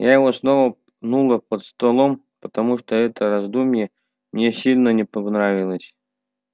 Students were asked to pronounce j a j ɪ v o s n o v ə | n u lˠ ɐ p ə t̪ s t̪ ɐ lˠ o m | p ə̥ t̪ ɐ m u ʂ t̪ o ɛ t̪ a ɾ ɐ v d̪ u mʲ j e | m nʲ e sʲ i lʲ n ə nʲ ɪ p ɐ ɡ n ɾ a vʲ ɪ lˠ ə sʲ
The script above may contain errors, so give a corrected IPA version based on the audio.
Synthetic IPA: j a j ɪ v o s n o v ə | n u lˠ ə p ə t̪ s t̪ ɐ lˠ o m | p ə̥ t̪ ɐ m u ʂ t̪ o ɛ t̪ ə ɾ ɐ z d̪ u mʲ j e | m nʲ e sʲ i lʲ n ə nʲ ɪ p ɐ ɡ n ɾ a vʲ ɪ lˠ ə sʲ